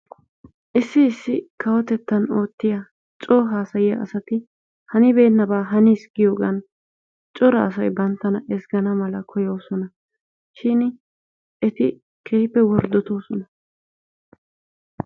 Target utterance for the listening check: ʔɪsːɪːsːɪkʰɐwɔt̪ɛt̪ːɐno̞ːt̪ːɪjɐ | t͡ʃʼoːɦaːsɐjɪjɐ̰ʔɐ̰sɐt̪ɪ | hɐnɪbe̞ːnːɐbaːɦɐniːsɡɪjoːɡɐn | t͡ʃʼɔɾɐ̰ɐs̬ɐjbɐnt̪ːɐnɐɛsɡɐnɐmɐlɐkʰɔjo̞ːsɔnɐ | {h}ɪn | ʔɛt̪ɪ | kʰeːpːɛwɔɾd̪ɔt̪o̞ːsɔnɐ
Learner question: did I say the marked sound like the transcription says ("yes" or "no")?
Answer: no